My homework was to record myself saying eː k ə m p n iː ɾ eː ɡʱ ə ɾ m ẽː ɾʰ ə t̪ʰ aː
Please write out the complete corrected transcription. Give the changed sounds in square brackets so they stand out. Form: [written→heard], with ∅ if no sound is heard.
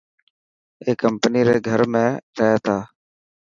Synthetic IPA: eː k ə m p n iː ɾ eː ɡʱ ə ɾ m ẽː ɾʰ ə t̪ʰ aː